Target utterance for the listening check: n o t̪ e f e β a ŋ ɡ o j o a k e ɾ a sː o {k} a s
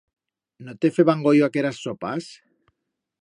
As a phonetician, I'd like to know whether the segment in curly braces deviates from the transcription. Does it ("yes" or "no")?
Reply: yes